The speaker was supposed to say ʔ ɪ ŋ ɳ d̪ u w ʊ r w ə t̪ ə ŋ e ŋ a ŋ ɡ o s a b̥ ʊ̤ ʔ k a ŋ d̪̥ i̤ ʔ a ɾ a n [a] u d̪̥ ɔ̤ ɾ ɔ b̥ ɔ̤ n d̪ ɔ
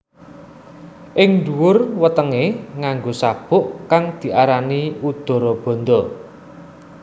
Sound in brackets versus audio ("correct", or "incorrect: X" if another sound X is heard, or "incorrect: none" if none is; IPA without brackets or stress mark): incorrect: i